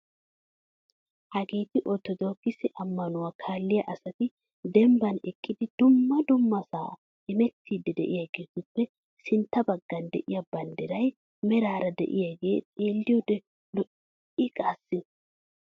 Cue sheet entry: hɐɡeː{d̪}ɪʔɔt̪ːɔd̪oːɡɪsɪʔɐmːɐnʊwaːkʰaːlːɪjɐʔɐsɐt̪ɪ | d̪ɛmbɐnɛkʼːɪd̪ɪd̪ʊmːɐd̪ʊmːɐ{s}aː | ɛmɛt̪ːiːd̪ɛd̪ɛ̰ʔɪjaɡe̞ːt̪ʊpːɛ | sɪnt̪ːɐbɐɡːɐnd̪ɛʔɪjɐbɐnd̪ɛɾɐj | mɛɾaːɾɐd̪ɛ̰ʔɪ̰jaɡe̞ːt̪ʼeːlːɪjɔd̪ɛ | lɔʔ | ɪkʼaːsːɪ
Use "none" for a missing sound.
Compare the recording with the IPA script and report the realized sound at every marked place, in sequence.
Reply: t̪, s

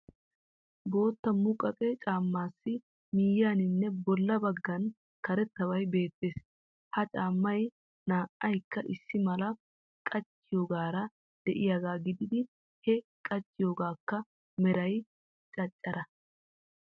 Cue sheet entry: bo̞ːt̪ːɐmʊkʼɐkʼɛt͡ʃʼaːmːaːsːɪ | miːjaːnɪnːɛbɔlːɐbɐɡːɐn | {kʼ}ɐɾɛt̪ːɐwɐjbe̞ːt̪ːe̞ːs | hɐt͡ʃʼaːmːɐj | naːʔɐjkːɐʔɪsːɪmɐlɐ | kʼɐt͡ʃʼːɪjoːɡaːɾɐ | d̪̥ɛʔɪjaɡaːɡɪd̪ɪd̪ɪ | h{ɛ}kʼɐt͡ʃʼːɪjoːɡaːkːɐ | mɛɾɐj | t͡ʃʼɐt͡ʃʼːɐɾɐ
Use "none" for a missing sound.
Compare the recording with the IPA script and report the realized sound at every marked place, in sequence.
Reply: k, ɛ

